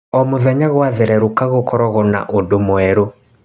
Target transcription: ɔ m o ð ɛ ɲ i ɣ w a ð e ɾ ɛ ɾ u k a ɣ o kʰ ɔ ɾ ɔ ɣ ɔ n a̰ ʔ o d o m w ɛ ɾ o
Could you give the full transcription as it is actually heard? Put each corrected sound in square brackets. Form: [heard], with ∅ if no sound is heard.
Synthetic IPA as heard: ɔ m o ð ɛ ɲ [a] ɣ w a ð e ɾ ɛ ɾ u k a ɣ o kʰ ɔ ɾ ɔ ɣ ɔ n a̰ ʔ o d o m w ɛ ɾ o